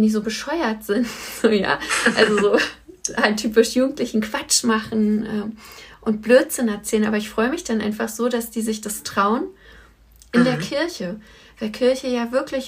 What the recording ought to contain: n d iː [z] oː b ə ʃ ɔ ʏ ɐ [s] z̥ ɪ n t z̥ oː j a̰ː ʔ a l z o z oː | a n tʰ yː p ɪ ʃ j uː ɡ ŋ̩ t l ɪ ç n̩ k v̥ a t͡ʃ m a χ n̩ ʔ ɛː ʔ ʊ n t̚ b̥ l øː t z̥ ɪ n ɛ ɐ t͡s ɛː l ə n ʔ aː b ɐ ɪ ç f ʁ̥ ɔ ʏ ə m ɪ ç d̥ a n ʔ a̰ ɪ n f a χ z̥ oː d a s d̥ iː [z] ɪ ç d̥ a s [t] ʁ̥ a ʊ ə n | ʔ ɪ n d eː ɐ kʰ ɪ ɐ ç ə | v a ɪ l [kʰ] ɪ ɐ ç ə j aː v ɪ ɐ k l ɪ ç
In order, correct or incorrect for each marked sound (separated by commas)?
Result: correct, incorrect, correct, correct, correct